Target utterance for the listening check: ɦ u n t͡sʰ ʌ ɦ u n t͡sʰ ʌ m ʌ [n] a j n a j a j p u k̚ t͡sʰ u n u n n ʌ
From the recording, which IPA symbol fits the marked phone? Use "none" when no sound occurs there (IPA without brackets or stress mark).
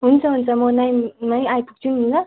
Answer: n